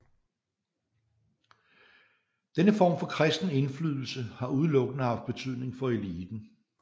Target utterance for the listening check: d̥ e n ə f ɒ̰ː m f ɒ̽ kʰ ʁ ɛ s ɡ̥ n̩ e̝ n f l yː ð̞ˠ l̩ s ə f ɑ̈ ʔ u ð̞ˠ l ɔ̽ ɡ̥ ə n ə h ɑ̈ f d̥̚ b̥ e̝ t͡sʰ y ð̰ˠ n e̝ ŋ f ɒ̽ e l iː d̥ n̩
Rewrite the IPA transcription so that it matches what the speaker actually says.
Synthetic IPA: d̥ e n ə f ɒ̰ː m f ɒ̽ kʰ ʁ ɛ s d̥ n̩ e̝ n f l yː ð̞ˠ l̩ s ə h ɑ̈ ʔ u ð̞ˠ l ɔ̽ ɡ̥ ə n ə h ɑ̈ f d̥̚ b̥ e̝ t͡sʰ y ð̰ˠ n e̝ ŋ f ɒ̽ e l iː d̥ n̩